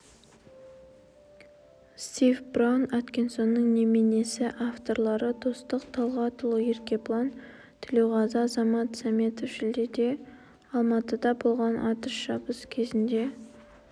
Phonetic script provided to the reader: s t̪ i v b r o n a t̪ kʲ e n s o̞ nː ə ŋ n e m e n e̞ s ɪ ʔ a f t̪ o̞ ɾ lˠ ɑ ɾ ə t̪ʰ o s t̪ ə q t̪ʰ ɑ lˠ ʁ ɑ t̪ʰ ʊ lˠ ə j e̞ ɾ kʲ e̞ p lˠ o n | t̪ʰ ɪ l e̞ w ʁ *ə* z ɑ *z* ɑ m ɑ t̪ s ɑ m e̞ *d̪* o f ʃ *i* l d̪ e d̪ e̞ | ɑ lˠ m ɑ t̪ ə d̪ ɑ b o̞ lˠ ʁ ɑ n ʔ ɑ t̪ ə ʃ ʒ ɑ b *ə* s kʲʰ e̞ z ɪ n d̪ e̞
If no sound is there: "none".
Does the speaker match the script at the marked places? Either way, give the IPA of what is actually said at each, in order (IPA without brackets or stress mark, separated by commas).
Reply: ɑ, z, t̪, ɪ, ə